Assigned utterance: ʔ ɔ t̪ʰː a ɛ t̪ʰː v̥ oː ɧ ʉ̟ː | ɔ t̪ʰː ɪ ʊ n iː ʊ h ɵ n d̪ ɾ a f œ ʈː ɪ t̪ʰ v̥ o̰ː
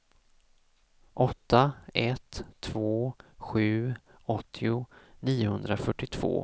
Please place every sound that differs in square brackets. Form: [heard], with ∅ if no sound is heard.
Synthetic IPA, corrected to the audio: ʔ ɔ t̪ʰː a ɛ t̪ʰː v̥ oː ɧ ʉ̟ː | ɔ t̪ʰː ɪ ʊ n iː ʊ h ɵ n d̪ ɾ a f œ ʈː ɪ t̪ʰ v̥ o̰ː